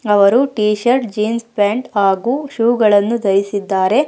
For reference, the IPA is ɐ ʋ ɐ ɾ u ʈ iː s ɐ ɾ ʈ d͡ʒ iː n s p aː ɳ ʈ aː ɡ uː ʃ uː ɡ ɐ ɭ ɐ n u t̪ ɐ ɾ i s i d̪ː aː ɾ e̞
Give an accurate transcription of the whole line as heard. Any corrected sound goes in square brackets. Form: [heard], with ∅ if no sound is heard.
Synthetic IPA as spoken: ɐ ʋ ɐ ɾ u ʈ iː [ʃ] ɐ ɾ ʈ d͡ʒ iː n s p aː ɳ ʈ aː ɡ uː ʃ uː ɡ ɐ ɭ ɐ [nː] u [d̪] ɐ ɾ i s i d̪ː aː ɾ e̞